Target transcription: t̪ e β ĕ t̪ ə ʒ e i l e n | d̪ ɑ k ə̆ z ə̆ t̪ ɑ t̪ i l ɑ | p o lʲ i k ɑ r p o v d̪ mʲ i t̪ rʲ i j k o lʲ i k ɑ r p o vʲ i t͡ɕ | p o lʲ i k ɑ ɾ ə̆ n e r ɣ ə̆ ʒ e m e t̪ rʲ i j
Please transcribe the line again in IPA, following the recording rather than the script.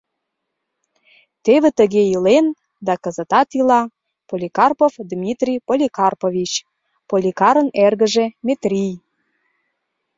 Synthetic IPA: t̪ e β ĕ t̪ ə ɣ e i l e n | d̪ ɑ k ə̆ z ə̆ t̪ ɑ t̪ i l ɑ | p o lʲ i k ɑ r p o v d̪ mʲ i t̪ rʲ i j p o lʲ i k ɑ r p o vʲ i t͡ɕ | p o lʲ i k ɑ ɾ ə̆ n e r ɣ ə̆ ʒ e m e t̪ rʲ i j